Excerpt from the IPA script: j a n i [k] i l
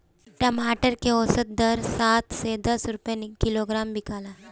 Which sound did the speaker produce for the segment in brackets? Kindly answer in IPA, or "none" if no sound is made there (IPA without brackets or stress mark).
k